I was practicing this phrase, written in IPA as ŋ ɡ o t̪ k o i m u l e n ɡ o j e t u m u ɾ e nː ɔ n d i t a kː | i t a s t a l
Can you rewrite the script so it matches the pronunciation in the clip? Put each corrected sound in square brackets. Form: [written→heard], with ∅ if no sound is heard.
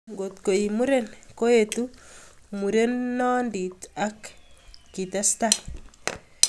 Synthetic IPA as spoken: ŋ ɡ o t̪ k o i m u [l→ɾ] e n [ɡ→k] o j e t u m u ɾ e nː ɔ n d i t a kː | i t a s t a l